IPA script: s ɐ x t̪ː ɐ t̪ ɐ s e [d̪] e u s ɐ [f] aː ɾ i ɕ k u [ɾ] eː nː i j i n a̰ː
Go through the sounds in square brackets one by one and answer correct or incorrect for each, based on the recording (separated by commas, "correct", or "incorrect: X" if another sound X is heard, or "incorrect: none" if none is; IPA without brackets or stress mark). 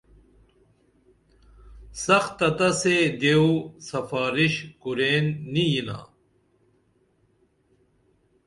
correct, correct, correct